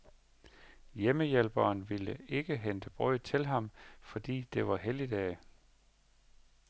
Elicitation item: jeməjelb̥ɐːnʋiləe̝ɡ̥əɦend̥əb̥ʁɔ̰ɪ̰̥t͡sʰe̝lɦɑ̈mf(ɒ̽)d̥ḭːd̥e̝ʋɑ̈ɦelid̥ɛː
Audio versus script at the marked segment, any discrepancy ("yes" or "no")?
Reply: no